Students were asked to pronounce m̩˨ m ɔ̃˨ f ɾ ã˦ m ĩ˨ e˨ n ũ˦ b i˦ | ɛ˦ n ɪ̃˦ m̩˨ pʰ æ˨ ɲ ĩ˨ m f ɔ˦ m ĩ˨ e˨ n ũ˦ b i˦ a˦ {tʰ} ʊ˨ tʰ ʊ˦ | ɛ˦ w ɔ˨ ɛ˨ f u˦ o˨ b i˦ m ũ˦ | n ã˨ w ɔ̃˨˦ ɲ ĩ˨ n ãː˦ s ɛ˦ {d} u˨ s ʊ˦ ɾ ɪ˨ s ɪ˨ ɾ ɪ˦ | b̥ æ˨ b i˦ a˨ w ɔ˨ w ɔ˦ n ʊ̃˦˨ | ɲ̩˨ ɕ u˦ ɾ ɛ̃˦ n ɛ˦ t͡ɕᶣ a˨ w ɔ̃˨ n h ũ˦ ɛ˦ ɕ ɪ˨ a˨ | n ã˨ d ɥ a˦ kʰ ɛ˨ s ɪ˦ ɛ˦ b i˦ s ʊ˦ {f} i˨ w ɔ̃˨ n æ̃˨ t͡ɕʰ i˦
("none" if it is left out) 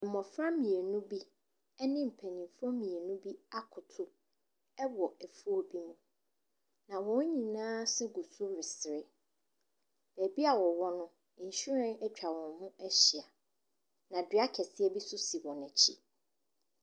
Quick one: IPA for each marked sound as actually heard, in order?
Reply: kʰ, ɡ, s

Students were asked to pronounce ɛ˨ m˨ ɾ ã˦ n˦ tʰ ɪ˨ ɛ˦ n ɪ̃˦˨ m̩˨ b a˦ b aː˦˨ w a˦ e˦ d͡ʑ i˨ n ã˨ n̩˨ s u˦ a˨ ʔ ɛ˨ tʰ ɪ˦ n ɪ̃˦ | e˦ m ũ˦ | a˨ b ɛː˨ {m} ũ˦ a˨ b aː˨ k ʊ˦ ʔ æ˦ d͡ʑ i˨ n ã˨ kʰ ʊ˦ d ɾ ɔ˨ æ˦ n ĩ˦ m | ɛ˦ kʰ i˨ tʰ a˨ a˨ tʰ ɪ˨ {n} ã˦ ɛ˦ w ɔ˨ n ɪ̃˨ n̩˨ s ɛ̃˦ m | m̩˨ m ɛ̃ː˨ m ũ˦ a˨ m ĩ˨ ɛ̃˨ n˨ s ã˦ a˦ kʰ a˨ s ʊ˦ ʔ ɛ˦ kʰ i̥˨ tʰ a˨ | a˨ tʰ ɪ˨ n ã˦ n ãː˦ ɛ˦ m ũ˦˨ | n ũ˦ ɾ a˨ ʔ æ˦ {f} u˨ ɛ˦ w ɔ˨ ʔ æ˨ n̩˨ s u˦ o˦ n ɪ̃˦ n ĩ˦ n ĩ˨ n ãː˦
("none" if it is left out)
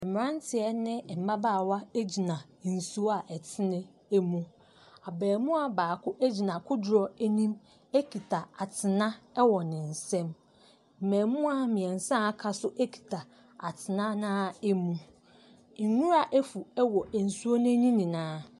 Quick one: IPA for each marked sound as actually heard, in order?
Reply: m, n, f

